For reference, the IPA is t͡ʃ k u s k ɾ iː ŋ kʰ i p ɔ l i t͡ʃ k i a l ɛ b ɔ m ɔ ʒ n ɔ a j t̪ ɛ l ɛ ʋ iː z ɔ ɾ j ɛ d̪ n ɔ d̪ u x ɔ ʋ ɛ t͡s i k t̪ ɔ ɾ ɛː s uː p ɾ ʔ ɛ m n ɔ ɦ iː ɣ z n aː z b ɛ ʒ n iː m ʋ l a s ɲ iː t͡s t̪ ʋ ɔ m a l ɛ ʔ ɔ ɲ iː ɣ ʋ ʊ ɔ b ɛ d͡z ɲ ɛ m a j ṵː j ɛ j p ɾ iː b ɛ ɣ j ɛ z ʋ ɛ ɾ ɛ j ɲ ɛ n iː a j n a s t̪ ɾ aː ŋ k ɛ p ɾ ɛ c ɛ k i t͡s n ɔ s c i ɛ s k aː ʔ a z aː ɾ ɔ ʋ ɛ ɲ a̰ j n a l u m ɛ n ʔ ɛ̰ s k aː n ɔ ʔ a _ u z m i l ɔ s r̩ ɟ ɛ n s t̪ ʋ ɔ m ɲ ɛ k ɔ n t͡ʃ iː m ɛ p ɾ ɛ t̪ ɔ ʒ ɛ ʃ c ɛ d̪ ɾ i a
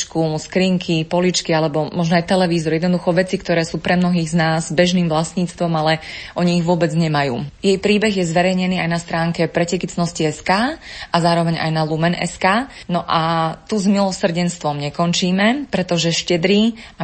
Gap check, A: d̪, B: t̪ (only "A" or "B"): B